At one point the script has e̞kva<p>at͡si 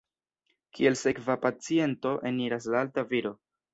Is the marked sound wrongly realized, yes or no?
no